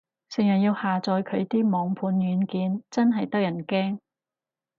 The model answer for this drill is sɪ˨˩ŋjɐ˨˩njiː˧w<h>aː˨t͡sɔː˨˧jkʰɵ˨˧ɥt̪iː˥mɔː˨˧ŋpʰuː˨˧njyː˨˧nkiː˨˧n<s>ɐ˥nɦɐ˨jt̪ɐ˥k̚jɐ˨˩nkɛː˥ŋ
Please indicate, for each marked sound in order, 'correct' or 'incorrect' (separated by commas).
correct, incorrect